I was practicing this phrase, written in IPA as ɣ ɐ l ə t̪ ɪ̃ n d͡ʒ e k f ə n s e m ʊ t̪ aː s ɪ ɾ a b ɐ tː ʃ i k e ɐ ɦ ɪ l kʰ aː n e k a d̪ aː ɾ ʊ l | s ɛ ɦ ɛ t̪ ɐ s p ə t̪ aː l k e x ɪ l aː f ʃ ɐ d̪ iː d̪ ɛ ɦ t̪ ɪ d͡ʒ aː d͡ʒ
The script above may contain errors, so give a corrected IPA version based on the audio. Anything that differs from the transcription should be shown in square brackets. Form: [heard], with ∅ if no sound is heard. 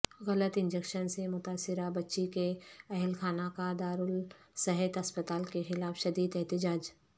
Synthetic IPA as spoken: ɣ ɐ l ə t̪ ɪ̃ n d͡ʒ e k [ʃ] ə n s e m ʊ t̪ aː s ɪ ɾ a b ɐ tː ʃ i k e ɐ ɦ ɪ l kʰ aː n [a] k a d̪ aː ɾ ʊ l | s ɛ ɦ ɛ t̪ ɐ s p ə t̪ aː l k e x ɪ l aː f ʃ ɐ d̪ iː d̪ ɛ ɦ t̪ ɪ d͡ʒ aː d͡ʒ